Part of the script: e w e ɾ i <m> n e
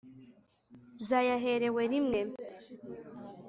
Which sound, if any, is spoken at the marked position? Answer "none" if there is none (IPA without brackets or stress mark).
m